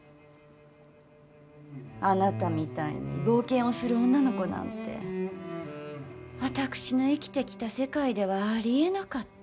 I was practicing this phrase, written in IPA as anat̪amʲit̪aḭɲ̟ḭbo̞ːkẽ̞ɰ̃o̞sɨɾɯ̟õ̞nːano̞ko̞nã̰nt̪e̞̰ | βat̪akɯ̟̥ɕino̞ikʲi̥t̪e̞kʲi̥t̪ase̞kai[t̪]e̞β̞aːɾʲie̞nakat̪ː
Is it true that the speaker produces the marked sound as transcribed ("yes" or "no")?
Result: no